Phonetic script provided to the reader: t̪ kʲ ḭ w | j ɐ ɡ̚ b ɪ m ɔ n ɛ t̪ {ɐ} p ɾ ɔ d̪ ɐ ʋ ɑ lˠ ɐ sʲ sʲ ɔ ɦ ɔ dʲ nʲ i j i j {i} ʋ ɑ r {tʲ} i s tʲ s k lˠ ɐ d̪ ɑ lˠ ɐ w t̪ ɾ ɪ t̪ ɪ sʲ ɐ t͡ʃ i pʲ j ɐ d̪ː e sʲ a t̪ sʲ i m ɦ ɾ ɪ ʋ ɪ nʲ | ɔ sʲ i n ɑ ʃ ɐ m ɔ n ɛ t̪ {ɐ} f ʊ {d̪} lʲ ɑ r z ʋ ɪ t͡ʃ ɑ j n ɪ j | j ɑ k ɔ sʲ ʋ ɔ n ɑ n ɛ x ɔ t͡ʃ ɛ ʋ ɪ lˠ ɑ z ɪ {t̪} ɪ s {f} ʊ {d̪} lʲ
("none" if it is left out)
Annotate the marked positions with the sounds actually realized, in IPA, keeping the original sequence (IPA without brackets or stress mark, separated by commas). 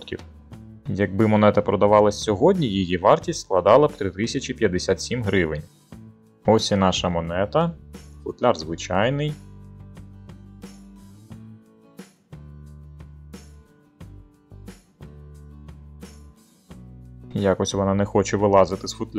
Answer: ɐ, i, tʲ, ɐ, t̪, t̪, f, t̪